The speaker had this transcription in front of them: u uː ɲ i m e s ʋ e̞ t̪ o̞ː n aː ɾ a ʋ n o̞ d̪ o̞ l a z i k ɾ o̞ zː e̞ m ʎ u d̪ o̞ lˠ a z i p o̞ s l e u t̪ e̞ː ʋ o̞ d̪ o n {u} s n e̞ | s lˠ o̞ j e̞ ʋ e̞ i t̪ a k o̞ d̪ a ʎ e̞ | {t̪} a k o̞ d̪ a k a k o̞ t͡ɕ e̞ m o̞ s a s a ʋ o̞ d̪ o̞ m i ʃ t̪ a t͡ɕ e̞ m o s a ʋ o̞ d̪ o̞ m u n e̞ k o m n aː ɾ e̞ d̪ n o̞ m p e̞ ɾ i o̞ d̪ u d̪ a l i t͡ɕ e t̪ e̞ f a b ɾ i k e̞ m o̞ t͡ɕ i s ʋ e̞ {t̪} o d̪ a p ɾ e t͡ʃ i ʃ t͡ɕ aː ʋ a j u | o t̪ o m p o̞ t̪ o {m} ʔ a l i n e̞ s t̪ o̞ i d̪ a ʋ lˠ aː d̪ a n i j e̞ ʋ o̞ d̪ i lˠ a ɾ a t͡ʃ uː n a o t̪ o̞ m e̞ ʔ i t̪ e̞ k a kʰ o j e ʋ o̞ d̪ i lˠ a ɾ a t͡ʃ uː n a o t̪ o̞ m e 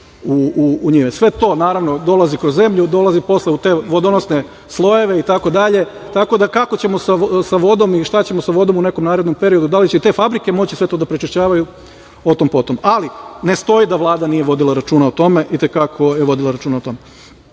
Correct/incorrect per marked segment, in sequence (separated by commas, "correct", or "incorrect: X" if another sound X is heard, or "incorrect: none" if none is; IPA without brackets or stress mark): incorrect: o, correct, correct, correct